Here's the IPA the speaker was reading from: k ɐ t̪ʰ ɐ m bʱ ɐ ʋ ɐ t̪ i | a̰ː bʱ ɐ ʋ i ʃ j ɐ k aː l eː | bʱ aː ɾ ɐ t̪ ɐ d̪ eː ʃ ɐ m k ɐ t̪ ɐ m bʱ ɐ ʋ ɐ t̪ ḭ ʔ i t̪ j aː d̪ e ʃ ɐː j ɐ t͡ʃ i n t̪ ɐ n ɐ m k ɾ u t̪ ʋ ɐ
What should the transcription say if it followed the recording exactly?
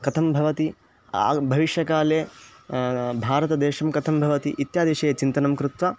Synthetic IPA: k ɐ t̪ʰ ɐ m bʱ ɐ ʋ ɐ t̪ i | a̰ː bʱ ɐ ʋ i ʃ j ɐ k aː l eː | bʱ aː ɾ ɐ t̪ ɐ d̪ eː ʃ ɐ m k ɐ t̪ʰ ɐ m bʱ ɐ ʋ ɐ t̪ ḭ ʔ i t̪ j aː d̪ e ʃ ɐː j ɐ t͡ʃ i n t̪ ɐ n ɐ m k ɾ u t̪ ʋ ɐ